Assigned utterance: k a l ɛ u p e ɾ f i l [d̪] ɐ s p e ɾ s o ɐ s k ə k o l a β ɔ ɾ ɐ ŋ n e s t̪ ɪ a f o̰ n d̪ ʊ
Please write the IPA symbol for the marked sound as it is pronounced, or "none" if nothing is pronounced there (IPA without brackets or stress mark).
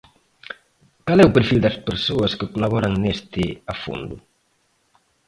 d̪